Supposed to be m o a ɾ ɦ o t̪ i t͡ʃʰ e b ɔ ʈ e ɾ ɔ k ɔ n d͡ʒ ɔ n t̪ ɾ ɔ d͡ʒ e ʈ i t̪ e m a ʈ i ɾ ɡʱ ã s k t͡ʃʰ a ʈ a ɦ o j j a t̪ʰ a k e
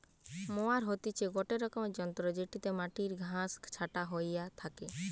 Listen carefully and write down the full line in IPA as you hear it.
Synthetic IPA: m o a ɾ ɦ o t̪ i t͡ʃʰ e ɡ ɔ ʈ e ɾ ɔ k ɔ m d͡ʒ ɔ n t̪ ɾ ɔ d͡ʒ e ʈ i t̪ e m a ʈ i ɾ ɡʱ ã s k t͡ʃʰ a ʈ a ɦ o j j a t̪ʰ a k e

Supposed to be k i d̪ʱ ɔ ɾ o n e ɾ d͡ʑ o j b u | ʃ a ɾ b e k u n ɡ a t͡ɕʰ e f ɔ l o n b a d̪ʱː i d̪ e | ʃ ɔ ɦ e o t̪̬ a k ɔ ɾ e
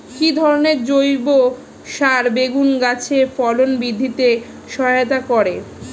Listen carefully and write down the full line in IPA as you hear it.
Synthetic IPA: k i d̪ʱ ɔ ɾ o n e ɾ d͡ʑ o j b o | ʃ a ɾ b e ɡ u n ɡ a t͡ɕʰ e f ɔ l o n b i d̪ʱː i t̪ e | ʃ ɔ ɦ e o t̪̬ a k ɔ ɾ e

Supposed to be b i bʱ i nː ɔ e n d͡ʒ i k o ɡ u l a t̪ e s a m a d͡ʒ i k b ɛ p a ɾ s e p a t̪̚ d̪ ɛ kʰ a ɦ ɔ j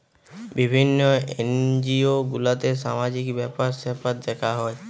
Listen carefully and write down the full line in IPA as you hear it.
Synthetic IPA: b i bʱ i nː ɔ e n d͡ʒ i o ɡ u l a t̪ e s a m a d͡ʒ i k b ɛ p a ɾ s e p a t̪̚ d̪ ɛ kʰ a ɦ ɔ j

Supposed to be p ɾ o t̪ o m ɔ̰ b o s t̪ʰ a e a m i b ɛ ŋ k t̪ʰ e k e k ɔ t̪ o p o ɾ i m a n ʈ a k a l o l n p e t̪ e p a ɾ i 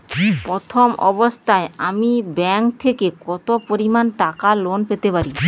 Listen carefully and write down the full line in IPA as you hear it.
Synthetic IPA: p ɾ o t̪ʰ o m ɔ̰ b o s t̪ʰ a e a m i b ɛ ŋ k t̪ʰ e k e k ɔ t̪ o p o ɾ i m a n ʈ a k a l o n p e t̪ e p a ɾ i

